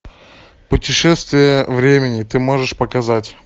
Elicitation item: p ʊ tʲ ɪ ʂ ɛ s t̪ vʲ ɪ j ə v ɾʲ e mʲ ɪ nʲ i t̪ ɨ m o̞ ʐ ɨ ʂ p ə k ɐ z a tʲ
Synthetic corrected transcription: p ʊ tʲ ɪ ʂ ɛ s t̪ vʲ ɪ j ə v ɾʲ e mʲ ɪ nʲ ɪ t̪ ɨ m o̞ ʐ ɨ ʂ p ə k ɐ z a tʲ